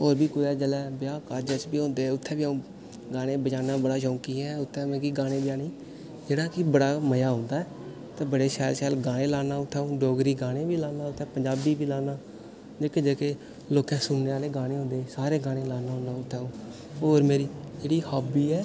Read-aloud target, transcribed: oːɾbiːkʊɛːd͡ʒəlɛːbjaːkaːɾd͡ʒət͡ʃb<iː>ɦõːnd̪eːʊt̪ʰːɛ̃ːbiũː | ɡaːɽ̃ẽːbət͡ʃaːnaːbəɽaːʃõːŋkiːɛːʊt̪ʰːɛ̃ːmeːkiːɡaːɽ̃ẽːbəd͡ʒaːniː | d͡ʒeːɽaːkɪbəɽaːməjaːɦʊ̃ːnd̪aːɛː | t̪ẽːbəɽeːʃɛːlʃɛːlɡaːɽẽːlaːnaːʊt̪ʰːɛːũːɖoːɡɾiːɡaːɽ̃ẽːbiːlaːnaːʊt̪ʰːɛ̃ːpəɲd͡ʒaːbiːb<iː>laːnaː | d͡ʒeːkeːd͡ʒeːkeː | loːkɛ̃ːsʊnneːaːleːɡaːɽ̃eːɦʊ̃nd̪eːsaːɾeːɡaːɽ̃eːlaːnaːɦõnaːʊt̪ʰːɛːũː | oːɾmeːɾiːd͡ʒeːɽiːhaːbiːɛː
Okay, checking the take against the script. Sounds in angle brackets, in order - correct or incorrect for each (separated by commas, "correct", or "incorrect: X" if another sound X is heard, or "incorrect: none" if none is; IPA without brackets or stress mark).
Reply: correct, correct